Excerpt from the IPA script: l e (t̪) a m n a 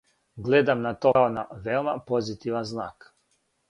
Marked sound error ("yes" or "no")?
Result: yes